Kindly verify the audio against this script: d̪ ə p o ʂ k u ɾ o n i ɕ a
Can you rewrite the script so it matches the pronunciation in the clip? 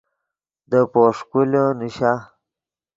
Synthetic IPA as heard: d̪ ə p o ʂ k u l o n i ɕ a